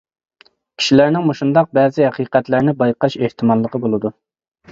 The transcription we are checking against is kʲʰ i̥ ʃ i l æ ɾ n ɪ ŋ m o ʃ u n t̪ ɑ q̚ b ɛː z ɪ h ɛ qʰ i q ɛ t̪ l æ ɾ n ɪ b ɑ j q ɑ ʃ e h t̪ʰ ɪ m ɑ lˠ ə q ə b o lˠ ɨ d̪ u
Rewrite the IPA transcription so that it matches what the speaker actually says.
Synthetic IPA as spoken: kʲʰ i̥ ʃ i l æ ɾ n ɪ ŋ m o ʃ u n d̪ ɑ q̚ b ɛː z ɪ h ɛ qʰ i q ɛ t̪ l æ ɾ n ɪ b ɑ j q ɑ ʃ e h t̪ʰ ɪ m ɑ lˠː ə q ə b o lˠ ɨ d̪ u